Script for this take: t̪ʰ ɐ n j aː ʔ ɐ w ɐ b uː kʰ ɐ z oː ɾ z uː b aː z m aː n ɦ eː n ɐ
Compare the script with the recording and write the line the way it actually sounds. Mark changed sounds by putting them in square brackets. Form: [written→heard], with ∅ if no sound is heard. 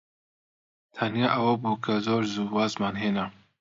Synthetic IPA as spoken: t̪ʰ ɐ n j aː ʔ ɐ w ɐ b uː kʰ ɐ z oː ɾ z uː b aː z m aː n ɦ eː n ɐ